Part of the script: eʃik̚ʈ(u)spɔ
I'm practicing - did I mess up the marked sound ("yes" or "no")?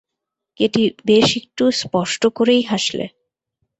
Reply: no